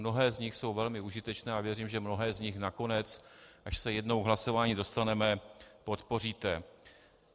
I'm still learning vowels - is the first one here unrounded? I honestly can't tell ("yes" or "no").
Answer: no